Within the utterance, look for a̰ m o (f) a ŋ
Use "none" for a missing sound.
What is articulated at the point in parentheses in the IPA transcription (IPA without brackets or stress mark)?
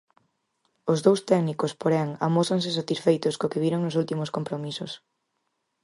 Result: s